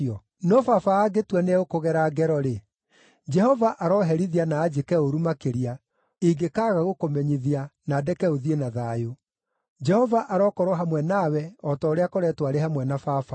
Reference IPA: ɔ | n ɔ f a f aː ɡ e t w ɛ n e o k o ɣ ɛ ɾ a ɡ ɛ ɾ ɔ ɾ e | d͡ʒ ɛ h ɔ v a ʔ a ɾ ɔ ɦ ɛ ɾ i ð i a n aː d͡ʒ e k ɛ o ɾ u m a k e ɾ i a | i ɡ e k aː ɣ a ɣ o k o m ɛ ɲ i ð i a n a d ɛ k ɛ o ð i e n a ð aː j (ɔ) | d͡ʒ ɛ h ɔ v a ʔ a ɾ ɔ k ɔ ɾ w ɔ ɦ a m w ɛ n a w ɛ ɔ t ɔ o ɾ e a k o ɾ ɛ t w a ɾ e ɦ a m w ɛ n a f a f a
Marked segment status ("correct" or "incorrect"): incorrect